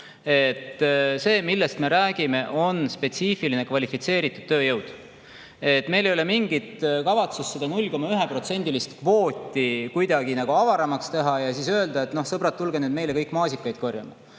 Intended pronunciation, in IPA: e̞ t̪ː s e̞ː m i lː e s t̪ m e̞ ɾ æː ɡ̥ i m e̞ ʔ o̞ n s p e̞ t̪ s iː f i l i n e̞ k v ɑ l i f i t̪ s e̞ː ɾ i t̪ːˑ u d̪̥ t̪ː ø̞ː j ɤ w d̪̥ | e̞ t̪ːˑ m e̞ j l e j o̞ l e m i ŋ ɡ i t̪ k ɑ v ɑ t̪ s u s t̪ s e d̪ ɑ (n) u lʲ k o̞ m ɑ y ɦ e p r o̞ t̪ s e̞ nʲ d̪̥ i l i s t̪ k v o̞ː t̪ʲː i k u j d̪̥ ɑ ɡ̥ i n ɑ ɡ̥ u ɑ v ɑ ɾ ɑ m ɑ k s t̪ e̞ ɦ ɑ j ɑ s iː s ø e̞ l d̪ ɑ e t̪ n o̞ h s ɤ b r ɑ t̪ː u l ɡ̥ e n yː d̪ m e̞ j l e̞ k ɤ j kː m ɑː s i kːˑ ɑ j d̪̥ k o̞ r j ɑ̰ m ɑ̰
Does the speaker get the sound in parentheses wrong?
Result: no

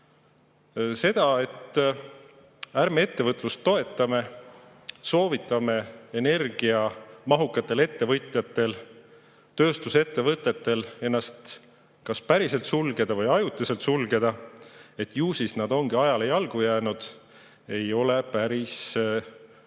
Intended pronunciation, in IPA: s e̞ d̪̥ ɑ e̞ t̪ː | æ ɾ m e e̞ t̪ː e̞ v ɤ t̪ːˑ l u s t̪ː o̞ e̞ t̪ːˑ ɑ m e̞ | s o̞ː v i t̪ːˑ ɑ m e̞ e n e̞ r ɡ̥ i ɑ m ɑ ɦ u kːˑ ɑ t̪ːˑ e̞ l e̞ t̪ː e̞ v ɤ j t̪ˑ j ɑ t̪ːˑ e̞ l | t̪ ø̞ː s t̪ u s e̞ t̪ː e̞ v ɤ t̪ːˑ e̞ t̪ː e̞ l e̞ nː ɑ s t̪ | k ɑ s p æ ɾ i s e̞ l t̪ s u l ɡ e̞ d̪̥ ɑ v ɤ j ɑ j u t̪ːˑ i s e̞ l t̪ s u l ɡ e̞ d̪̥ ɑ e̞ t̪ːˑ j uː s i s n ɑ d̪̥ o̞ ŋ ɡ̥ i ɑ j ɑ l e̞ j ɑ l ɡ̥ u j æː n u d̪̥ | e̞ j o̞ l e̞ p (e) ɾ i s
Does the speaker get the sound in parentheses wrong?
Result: yes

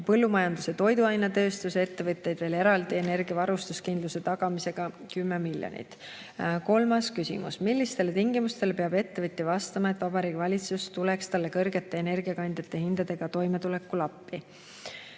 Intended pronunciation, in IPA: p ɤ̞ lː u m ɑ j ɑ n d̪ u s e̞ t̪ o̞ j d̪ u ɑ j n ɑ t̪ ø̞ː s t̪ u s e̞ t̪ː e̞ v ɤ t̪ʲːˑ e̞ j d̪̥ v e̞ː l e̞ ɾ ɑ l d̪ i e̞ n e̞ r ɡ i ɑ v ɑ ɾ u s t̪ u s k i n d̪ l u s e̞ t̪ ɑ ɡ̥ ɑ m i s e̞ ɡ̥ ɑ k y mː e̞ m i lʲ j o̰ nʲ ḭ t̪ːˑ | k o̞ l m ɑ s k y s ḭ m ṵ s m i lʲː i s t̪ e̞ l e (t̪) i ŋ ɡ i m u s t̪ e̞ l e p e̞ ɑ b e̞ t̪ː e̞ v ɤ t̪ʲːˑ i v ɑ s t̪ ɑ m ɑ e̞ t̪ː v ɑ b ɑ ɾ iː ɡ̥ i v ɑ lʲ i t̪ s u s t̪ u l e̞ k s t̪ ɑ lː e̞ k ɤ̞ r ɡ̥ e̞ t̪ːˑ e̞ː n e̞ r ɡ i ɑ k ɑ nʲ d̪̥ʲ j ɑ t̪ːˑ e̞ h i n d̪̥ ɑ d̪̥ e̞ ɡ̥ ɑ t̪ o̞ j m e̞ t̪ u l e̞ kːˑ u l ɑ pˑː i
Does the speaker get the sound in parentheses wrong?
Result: no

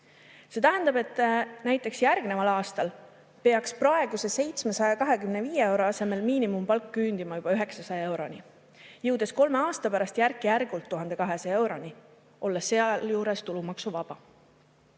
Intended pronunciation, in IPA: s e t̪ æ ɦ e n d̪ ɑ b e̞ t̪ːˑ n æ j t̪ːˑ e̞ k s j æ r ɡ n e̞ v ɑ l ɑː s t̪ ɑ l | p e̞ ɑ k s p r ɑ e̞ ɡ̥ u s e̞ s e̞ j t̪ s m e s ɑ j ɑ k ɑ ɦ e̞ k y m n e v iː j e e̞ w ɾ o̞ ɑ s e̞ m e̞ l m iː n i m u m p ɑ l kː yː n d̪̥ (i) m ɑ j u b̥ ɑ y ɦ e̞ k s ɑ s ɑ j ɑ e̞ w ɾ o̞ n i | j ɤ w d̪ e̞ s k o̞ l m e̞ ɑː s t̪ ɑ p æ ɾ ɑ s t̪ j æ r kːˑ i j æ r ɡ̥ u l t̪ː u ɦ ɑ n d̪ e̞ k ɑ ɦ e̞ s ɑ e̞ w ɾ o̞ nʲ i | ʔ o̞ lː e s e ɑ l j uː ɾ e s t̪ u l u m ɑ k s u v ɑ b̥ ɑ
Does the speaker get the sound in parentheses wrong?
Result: no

